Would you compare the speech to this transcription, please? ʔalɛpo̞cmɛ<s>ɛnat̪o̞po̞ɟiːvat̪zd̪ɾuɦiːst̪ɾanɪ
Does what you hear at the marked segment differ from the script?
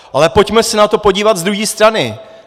no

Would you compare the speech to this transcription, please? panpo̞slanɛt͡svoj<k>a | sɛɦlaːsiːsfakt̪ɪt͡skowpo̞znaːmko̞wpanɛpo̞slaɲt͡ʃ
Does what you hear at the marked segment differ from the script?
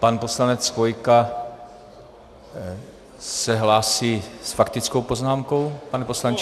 no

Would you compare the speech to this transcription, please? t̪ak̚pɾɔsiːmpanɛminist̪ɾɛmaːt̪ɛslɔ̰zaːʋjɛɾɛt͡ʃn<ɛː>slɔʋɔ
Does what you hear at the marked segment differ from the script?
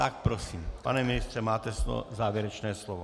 no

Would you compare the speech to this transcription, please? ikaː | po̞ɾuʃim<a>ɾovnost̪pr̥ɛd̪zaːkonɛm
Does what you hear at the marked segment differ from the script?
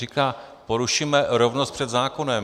yes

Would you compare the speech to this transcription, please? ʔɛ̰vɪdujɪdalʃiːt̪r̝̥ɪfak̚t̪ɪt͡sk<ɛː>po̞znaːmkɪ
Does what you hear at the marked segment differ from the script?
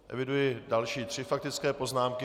no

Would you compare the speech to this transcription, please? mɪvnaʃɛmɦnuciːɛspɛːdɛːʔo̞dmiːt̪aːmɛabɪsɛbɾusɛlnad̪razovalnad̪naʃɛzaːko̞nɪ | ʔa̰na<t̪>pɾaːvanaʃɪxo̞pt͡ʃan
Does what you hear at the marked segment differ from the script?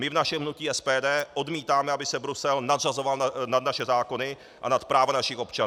no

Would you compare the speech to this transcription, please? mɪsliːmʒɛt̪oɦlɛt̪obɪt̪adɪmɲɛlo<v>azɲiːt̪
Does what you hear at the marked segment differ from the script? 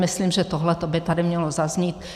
yes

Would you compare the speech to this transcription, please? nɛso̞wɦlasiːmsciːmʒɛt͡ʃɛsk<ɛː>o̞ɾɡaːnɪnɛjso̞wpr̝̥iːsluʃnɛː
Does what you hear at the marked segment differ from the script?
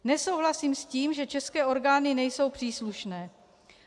no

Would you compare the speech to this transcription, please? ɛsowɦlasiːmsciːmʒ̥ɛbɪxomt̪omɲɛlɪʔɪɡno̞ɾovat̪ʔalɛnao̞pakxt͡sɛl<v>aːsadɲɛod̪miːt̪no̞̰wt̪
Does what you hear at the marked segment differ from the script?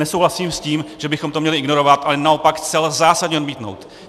yes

